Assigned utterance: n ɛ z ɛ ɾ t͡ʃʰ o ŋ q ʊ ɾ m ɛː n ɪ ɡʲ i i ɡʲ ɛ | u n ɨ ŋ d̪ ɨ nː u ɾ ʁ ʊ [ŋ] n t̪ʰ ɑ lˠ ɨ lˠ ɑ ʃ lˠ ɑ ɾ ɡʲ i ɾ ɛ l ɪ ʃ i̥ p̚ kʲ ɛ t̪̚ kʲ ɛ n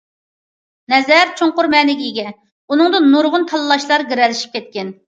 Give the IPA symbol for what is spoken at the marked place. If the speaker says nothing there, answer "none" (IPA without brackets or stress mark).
none